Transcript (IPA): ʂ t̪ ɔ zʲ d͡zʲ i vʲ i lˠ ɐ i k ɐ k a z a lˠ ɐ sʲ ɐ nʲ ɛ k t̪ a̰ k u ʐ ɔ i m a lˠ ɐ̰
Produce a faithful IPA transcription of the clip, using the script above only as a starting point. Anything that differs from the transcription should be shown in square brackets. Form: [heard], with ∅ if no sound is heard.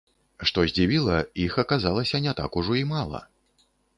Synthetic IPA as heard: ʂ t̪ ɔ zʲ d͡zʲ i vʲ i lˠ ɐ i [x] ɐ k a z a lˠ ɐ sʲ ɐ nʲ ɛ [∅] t̪ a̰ k u ʐ ɔ i m a lˠ ɐ̰